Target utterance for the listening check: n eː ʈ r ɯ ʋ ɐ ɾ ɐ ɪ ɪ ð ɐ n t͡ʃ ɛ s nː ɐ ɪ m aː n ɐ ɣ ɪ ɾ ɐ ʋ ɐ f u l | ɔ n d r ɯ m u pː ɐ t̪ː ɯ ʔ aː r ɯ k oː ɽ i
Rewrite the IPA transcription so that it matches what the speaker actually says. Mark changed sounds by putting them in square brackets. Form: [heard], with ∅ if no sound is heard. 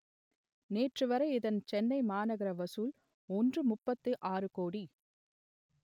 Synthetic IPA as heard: n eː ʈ r ɯ ʋ ɐ ɾ ɐ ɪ ɪ ð ɐ n t͡ʃ ɛ [∅] nː ɐ ɪ m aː n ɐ ɣ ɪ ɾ ɐ ʋ ɐ [s] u l | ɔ n d r ɯ m [ʊ] pː ɐ t̪ː ɯ ʔ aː r ɯ k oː ɽ i